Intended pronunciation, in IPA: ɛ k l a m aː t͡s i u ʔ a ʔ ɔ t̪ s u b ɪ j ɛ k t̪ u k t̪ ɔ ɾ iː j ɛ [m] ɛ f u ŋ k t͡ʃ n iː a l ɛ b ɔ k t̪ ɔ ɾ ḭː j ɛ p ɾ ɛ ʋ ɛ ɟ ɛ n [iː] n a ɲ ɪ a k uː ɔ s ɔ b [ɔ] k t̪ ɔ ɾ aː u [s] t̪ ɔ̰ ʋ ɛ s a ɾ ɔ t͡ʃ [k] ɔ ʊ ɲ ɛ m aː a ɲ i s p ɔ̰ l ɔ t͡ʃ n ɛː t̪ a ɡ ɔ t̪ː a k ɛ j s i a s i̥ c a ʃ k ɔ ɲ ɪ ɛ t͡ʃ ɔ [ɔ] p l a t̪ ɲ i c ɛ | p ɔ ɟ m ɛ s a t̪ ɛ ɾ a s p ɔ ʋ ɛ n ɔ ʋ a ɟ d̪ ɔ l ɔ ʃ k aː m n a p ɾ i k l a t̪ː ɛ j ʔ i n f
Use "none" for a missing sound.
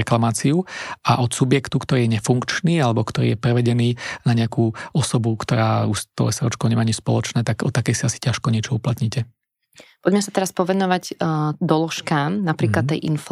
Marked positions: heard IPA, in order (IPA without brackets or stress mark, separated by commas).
ɲ, iː, u, ʃ, k, u